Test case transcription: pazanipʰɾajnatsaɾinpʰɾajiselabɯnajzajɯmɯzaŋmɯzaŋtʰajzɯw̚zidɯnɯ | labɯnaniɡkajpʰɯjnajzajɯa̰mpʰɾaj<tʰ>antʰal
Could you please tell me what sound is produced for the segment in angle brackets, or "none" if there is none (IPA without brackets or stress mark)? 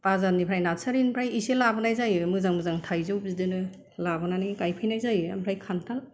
kʰ